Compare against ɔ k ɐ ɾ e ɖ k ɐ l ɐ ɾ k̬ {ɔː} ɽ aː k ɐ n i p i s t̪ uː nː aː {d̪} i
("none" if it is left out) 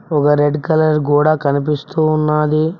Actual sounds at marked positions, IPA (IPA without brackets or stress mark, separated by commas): uː, d̪